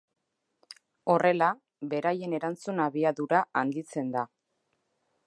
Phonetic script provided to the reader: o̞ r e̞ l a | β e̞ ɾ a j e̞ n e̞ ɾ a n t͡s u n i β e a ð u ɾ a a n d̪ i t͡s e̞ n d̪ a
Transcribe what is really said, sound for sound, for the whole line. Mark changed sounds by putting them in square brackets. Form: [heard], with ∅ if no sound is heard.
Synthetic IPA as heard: o̞ r e̞ l a | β e̞ ɾ a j e̞ n e̞ ɾ a n t͡s u n [a] β [i] a ð u ɾ a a n d̪ i t͡s e̞ n d̪ a

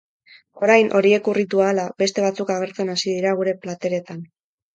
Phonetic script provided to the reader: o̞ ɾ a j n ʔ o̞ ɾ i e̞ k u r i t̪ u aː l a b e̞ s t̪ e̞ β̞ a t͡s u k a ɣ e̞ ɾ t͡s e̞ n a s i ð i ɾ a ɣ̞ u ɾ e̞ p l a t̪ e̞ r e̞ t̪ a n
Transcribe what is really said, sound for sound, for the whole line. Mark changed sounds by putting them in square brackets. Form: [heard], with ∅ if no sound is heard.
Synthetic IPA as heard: o̞ ɾ a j n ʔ o̞ ɾ i e̞ k u r i t̪ u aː l a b e̞ s t̪ e̞ β̞ a t͡s u k a ɣ e̞ ɾ t͡s e̞ n a s i ð i ɾ a ɣ̞ u ɾ e̞ p l a t̪ e̞ [ɾ] e̞ t̪ a n

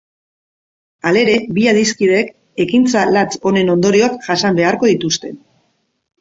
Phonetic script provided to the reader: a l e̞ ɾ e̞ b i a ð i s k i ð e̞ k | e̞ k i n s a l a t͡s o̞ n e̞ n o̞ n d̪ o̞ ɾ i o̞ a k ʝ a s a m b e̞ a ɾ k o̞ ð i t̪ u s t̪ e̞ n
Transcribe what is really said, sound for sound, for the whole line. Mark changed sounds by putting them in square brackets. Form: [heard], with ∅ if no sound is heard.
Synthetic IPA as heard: a l e̞ ɾ e̞ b i a ð i s k i ð e̞ k | e̞ k i n [t͡s] a l a t͡s o̞ n e̞ n o̞ n d̪ o̞ ɾ i o̞ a k ʝ a s a m b e̞ a ɾ k o̞ ð i t̪ u s t̪ e̞ n

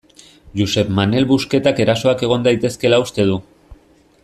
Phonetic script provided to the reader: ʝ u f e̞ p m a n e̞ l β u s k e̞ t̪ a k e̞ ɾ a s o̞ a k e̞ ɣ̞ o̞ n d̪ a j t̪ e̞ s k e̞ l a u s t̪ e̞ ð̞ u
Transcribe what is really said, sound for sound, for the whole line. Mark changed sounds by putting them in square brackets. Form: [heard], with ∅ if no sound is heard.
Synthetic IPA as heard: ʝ u [s] e̞ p m a n e̞ l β u s k e̞ t̪ a k e̞ ɾ a s o̞ a k e̞ ɣ̞ o̞ n d̪ a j t̪ e̞ s k e̞ l a u s t̪ e̞ ð̞ u

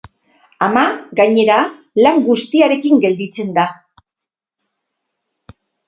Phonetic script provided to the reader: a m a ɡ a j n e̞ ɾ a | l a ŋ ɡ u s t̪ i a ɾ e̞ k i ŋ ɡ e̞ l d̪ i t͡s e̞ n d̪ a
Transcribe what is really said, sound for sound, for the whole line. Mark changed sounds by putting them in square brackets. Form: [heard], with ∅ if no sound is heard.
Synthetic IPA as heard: a m a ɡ a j [ɲ] e̞ ɾ a | l a ŋ ɡ u s t̪ i a ɾ e̞ k i ŋ ɡ e̞ l d̪ i t͡s e̞ n d̪ a

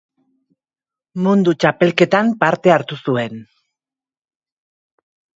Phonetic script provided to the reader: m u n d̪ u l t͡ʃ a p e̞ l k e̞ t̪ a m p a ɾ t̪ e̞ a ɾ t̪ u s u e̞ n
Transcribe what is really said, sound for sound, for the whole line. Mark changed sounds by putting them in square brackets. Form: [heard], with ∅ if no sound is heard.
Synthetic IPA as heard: m u n d̪ u [∅] t͡ʃ a p e̞ l k e̞ t̪ a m p a ɾ t̪ e̞ a ɾ t̪ u s u e̞ n

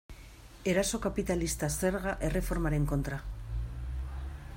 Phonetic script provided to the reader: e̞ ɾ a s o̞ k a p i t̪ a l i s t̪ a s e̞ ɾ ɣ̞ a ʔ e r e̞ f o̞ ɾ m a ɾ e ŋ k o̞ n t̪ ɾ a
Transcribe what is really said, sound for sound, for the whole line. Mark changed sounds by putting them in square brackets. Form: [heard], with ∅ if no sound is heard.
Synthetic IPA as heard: e̞ ɾ a s o̞ k a p i t̪ a l i s t̪ a s e̞ ɾ ɣ̞ a ʔ e r e̞ f o̞ ɾ m a ɾ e ŋ k o̞ n t̪ ɾ a

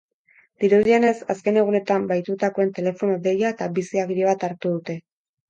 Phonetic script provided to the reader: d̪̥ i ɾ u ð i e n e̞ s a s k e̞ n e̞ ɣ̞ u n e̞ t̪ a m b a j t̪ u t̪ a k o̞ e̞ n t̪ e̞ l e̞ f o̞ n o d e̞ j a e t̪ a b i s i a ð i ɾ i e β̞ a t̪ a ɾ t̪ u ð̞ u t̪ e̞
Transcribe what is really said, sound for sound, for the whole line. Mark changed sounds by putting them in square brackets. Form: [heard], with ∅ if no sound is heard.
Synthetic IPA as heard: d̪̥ i ɾ u ð i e n e̞ s a s k e̞ n e̞ ɣ̞ u n e̞ t̪ a m b a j t̪ u t̪ a k o̞ e̞ n t̪ e̞ l e̞ f o̞ n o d e̞ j a e t̪ a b i s i a [ɣ] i ɾ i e β̞ a t̪ a ɾ t̪ u ð̞ u t̪ e̞

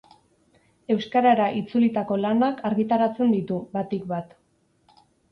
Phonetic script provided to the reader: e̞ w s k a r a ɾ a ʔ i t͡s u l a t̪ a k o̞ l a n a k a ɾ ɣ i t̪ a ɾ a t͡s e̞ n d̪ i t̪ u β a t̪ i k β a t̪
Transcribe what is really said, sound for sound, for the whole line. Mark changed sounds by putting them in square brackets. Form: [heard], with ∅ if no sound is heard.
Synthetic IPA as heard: e̞ w s k a [ɾ] a ɾ a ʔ i t͡s u l [i] t̪ a k o̞ l a n a k a ɾ ɣ i t̪ a ɾ a t͡s e̞ n d̪ i t̪ u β a t̪ i k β a t̪

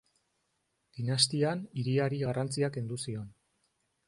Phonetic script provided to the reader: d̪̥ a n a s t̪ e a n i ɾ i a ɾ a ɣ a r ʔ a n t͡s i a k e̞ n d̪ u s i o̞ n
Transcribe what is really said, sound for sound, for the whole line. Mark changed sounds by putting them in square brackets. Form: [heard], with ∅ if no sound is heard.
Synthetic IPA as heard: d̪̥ [i] n a s t̪ [i] a n i ɾ i a ɾ [i] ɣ a r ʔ a n t͡s i a k e̞ n d̪ u s i o̞ n

